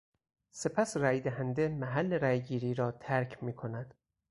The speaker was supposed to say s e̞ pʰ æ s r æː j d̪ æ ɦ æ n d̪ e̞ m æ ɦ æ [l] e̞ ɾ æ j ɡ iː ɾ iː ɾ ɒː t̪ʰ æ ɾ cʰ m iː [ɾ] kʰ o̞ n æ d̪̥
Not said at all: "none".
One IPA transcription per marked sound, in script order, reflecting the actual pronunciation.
lː, none

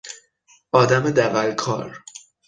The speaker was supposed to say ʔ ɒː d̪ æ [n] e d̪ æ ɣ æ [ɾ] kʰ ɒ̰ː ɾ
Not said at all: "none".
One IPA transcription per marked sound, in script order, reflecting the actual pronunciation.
m, l

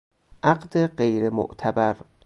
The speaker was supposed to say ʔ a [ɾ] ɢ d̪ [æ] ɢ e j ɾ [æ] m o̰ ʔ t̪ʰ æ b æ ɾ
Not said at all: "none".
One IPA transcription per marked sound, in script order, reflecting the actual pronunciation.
none, e, e

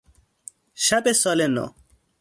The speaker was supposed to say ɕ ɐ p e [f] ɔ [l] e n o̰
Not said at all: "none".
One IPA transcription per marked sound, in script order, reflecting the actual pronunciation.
s, l

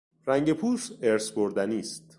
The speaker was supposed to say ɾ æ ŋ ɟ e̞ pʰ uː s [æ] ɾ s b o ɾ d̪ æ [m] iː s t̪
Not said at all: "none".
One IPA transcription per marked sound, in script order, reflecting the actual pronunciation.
e, n

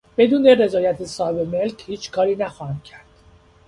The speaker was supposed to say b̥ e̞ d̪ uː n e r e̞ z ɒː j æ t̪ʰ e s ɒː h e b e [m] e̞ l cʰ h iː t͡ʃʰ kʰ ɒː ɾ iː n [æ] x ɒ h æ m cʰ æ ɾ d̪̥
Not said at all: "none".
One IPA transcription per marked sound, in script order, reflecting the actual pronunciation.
m, æ

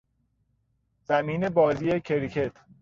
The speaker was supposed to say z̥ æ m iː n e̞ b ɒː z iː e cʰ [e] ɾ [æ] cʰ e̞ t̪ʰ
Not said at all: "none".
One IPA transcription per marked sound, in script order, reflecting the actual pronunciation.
e, i

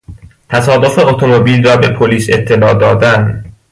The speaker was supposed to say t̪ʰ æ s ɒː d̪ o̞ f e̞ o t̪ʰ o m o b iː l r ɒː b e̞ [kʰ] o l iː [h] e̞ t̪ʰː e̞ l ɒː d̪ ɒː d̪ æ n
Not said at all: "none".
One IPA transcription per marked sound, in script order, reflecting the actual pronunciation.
pʰ, s

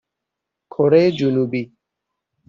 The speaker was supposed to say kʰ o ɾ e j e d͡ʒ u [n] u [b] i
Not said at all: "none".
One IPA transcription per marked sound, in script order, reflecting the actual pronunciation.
n, b

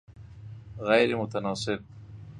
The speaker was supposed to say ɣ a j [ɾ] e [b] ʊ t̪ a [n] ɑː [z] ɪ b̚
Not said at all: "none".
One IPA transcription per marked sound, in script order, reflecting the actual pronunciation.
ɾ, m, n, s

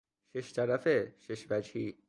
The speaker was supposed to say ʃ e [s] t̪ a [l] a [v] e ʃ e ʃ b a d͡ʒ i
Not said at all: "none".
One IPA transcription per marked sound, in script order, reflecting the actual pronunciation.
ʃ, ɾ, f

